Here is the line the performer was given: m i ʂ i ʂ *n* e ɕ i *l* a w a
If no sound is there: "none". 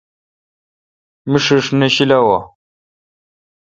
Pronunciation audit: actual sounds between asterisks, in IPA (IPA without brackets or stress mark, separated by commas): n, l